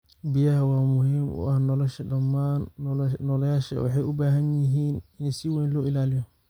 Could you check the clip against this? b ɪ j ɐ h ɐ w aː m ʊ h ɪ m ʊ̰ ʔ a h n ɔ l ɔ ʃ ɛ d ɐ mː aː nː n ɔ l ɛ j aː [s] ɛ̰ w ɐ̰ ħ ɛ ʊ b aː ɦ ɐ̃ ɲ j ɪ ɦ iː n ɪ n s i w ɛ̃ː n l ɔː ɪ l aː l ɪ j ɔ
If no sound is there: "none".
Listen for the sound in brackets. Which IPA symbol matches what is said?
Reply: ʃ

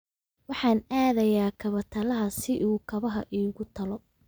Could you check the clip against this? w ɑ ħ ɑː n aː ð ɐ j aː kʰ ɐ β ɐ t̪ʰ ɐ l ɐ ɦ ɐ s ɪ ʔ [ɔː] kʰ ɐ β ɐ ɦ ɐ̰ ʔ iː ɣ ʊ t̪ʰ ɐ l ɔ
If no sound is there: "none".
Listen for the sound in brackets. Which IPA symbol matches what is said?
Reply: uː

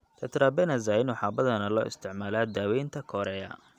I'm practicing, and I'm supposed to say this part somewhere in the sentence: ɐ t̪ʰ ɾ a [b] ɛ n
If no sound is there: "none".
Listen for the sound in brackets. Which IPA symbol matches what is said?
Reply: b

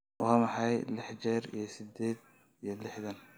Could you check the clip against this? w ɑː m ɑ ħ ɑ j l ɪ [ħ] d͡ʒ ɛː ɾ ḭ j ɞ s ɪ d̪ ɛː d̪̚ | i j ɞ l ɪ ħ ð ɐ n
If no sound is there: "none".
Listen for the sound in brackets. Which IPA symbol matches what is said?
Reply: ħ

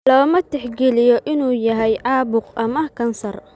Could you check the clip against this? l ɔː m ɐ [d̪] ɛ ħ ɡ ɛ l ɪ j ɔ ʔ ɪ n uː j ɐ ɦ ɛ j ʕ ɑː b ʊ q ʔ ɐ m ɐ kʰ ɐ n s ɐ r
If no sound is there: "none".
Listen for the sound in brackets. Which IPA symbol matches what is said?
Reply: t̪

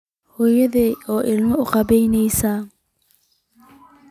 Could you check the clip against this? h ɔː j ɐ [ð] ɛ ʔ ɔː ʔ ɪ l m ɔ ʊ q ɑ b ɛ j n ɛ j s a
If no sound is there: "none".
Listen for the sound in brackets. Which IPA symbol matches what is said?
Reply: ð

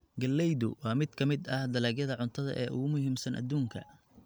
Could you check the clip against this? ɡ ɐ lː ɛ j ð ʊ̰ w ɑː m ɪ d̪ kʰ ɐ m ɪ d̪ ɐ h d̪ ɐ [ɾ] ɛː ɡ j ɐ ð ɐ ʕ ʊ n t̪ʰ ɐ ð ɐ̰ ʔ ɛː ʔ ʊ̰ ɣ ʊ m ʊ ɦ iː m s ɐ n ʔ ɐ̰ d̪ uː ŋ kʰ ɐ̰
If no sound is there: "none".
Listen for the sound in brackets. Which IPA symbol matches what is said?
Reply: l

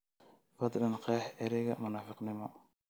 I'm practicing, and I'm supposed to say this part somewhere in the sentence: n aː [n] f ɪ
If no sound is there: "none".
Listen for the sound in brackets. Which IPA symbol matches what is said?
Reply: none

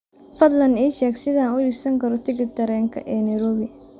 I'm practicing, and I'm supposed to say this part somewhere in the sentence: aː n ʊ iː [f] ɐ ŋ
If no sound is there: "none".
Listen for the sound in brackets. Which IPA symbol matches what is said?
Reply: s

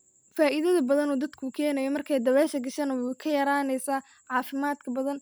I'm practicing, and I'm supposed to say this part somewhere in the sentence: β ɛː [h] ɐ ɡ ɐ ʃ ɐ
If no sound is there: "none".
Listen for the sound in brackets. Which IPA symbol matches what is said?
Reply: ʃ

